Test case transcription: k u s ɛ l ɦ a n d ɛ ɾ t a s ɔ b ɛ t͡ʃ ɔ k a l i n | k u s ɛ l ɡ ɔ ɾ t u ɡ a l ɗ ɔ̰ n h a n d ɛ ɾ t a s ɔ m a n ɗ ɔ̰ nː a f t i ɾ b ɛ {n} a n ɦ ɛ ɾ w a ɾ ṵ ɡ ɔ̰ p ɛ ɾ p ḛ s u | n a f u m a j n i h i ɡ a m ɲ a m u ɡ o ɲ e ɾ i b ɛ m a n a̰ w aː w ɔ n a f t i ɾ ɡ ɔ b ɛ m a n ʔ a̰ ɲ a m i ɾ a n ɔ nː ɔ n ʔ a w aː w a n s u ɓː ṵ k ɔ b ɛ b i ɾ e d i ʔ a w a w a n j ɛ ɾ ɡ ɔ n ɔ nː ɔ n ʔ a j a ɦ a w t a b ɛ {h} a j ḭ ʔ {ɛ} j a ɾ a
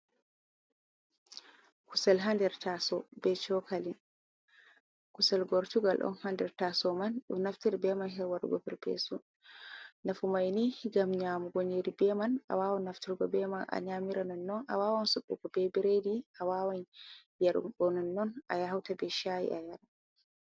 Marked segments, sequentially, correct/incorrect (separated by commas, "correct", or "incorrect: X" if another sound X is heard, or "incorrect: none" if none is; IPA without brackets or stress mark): incorrect: m, incorrect: ʃ, incorrect: a